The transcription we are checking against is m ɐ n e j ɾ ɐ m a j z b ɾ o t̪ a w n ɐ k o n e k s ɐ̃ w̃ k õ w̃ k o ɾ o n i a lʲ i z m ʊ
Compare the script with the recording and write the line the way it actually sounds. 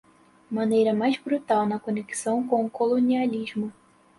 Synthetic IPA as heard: m ɐ n e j ɾ ɐ m a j z b ɾ u t̪ a w n ɐ k o n e k s ɐ̃ w̃ k õ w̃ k o l o n i a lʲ i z m ʊ